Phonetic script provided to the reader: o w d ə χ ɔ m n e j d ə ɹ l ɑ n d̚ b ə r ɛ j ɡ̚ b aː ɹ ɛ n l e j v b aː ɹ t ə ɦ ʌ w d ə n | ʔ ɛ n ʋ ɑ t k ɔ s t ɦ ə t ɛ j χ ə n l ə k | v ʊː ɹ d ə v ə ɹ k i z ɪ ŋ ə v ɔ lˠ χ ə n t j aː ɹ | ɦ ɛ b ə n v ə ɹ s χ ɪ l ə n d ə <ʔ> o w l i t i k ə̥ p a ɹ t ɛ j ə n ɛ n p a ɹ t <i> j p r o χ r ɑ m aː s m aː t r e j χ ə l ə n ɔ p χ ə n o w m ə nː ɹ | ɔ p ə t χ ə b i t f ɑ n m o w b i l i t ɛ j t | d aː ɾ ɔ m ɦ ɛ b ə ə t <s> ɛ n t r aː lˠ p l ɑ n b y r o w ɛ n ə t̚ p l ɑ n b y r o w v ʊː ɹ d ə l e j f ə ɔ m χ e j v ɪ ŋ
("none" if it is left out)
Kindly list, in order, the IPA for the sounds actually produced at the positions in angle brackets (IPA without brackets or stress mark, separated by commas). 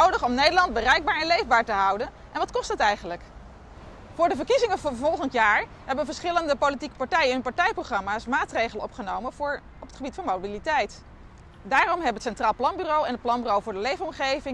p, ɛ, s